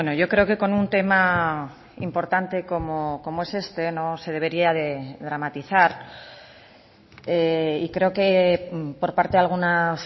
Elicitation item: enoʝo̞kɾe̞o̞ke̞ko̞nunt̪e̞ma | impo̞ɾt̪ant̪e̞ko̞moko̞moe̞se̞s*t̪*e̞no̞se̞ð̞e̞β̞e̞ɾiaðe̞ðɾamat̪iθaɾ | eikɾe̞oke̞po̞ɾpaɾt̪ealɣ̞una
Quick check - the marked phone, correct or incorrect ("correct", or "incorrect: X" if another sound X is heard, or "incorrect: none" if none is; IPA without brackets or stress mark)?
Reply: correct